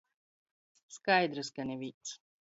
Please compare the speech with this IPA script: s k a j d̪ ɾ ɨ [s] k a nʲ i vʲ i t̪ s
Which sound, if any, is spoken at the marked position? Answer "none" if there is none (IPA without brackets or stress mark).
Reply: s